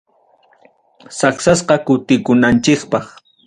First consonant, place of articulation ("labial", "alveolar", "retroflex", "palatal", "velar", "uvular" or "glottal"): alveolar